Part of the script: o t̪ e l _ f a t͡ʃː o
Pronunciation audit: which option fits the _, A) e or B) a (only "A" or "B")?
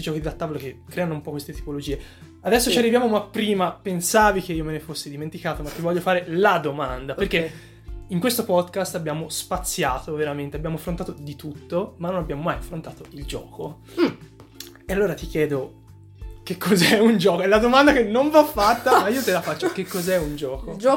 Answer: B